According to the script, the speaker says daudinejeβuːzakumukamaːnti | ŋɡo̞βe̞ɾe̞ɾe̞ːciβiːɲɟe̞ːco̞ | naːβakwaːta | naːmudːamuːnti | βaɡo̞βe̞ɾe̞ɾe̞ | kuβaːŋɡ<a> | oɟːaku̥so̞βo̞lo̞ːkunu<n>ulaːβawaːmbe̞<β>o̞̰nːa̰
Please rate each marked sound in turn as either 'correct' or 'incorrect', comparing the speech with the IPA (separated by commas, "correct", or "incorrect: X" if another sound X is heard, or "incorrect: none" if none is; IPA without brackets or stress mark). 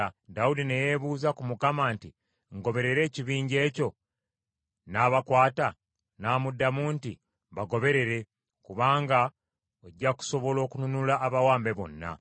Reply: correct, correct, correct